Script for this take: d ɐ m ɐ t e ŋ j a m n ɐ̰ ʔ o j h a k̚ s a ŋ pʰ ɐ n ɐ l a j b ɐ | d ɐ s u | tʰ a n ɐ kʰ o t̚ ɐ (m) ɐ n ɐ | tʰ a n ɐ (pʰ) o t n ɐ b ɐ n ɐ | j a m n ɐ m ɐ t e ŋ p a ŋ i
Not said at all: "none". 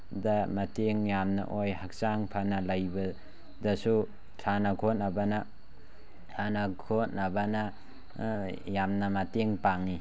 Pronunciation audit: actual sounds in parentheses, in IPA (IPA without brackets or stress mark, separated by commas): b, kʰ